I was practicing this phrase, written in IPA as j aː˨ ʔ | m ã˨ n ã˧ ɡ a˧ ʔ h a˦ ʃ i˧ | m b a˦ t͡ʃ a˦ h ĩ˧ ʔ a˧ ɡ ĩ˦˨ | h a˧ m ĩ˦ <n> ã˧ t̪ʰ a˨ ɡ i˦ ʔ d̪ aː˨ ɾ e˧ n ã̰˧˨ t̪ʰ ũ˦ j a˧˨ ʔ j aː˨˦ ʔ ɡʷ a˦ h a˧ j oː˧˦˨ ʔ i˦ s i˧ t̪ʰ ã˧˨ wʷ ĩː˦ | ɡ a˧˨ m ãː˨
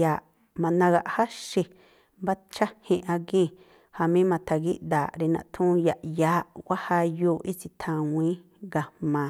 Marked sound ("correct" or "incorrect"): incorrect